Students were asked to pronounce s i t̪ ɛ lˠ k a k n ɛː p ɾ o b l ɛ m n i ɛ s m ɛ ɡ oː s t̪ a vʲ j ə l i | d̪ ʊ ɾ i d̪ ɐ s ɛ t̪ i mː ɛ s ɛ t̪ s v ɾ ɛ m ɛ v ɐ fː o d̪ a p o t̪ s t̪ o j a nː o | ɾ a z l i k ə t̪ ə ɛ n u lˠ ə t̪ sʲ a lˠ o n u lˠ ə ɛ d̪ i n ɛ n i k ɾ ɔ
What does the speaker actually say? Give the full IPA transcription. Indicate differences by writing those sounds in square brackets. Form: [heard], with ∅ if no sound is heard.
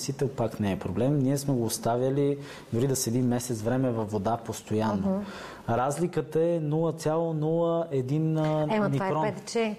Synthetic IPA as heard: s i t̪ ɛ lˠ [p] a k n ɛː p ɾ o b l ɛ m n i ɛ s m ɛ ɡ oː s t̪ a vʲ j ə l i | d̪ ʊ ɾ i d̪ ɐ s ɛ [d̪] i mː ɛ s ɛ t̪ s v ɾ ɛ m ɛ v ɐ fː o d̪ a p o [∅] s t̪ o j a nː o | ɾ a z l i k ə t̪ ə ɛ n u lˠ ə t̪ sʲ a lˠ o n u lˠ ə ɛ d̪ i n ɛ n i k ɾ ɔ